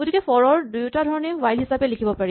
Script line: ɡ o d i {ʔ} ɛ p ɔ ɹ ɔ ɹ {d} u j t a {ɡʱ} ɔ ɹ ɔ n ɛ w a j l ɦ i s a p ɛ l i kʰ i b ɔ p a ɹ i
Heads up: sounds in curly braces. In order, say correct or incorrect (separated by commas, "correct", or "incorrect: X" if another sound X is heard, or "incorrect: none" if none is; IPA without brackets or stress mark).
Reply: incorrect: k, correct, incorrect: dʱ